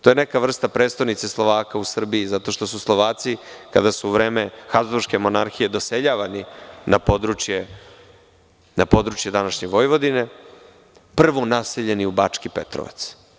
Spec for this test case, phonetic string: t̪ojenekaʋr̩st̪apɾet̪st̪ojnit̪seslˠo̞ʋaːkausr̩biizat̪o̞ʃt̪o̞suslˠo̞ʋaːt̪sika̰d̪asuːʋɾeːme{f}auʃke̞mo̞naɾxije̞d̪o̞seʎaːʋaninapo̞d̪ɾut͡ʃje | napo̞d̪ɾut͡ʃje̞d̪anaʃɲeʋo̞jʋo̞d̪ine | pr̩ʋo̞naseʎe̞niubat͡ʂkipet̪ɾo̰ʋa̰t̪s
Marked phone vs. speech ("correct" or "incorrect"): incorrect